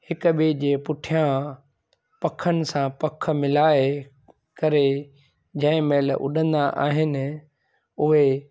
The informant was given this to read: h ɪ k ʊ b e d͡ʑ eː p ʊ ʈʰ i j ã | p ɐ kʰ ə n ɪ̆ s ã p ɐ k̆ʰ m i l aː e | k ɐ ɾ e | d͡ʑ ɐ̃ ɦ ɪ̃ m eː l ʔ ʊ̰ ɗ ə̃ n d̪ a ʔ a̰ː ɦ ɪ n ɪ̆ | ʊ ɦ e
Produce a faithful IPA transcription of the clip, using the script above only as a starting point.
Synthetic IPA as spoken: h ɪ k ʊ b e d͡ʑ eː p ʊ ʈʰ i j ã | p ɐ kʰ ə n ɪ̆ s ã p ɐ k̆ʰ m ɪ l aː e | k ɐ ɾ e | d͡ʑ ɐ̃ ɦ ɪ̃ m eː l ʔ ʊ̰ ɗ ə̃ n d̪ a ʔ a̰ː ɦ ɪ n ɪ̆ | ʊ ɦ e